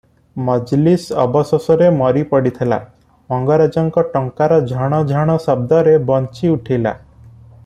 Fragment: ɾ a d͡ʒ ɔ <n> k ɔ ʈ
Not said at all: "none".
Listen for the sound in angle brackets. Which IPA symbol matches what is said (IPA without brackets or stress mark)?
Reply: ŋ